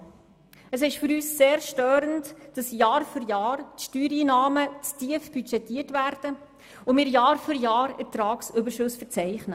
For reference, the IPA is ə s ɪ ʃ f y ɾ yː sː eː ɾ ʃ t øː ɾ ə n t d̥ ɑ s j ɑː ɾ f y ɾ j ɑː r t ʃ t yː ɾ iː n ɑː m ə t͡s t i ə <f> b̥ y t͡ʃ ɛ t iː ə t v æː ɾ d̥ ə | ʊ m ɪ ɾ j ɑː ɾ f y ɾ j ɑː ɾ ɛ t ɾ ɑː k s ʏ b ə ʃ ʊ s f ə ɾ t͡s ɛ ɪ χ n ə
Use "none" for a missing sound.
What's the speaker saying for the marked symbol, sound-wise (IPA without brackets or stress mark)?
f